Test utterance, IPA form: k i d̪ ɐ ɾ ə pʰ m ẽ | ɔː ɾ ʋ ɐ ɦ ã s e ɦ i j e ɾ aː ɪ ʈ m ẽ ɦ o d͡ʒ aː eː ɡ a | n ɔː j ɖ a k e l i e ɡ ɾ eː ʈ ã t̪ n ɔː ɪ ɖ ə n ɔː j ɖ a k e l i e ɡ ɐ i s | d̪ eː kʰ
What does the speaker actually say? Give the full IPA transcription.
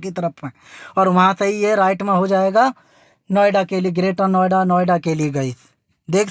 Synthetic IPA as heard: k i t̪ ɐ ɾ ə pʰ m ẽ | ɔː ɾ ʋ ɐ ɦ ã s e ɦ i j e ɾ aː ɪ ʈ m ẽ ɦ o d͡ʒ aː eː ɡ a | n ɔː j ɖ a k e l i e ɡ ɾ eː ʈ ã n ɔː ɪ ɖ a n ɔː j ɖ a k e l i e ɡ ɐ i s | d̪ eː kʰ